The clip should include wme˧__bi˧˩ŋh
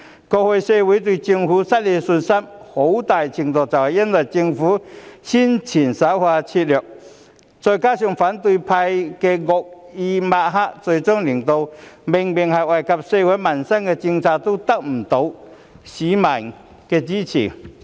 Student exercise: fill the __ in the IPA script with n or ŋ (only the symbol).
ŋ